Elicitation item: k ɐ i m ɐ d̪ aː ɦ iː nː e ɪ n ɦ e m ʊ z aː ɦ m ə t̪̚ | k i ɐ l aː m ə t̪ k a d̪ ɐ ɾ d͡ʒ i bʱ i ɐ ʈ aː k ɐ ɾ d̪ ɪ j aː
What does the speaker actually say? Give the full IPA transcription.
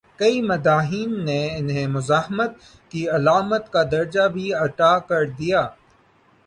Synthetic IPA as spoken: k ɐ i m ɐ d̪ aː ɦ iː nː e ɪ n ɦ e m ʊ z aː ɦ m ə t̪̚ | k i ɐ l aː m ə t̪ k a d̪ ɐ ɾ d͡ʒ a bʱ i ɐ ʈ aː k ɐ ɾ d̪ i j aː